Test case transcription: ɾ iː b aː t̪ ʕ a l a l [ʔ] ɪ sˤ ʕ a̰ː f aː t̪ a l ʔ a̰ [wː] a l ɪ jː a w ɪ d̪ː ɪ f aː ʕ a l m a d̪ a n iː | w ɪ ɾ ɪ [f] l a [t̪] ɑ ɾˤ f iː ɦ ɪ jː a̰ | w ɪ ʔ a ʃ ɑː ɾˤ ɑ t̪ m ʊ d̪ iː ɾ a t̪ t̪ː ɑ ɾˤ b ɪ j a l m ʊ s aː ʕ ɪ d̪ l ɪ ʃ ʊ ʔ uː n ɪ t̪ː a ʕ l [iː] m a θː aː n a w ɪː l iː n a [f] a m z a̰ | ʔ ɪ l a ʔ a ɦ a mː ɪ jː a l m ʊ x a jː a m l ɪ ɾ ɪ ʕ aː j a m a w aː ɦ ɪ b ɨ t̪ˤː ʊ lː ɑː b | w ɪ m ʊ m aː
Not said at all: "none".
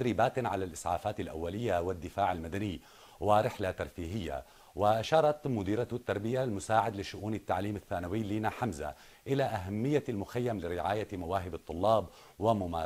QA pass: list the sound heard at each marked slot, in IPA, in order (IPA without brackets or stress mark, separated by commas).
ʔ, wː, ħ, t̪, iː, ħ